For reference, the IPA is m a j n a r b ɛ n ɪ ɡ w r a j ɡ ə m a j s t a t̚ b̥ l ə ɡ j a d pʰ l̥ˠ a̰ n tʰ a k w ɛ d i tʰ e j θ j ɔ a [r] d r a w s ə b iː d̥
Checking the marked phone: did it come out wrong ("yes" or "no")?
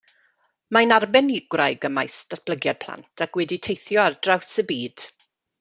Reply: no